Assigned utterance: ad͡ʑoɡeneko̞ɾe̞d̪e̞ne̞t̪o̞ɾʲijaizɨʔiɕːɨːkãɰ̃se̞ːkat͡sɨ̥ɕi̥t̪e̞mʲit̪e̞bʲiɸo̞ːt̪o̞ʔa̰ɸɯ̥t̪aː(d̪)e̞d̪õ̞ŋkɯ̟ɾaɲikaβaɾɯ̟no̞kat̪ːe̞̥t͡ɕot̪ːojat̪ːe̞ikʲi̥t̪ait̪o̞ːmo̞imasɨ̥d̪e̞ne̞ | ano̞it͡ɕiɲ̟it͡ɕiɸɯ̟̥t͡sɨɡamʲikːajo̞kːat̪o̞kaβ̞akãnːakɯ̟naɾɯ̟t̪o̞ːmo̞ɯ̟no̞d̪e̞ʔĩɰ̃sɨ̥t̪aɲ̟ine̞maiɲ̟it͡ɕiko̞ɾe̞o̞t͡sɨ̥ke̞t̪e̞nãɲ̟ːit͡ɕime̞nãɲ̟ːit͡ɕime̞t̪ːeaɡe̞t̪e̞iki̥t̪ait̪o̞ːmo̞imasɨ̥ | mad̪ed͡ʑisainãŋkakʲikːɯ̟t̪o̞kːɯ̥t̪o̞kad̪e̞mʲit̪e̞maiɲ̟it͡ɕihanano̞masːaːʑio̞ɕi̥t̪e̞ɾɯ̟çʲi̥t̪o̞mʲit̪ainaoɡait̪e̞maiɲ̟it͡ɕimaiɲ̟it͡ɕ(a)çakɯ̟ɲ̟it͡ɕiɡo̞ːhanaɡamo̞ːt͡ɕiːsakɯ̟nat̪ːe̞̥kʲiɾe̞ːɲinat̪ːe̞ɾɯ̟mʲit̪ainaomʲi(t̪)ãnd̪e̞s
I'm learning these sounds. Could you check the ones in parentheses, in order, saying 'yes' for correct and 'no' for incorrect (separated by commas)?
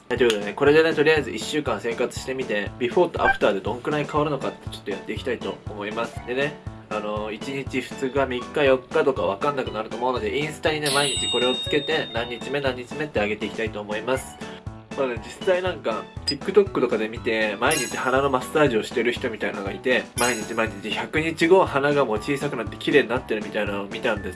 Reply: yes, no, yes